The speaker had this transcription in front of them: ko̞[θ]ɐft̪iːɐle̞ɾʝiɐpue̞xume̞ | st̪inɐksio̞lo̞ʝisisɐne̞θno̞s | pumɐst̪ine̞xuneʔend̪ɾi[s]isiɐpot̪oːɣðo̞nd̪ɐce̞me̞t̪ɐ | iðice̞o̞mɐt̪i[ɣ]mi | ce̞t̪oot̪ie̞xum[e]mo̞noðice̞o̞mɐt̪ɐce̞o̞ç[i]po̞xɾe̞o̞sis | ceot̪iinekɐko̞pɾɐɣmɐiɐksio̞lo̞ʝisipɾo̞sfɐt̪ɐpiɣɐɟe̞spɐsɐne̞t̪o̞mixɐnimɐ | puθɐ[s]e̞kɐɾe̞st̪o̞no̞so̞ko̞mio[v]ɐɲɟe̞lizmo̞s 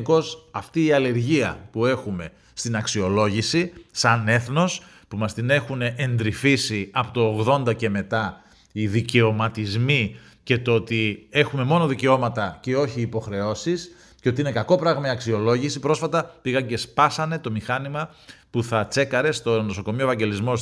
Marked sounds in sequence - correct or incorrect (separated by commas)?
incorrect, incorrect, incorrect, correct, incorrect, incorrect, correct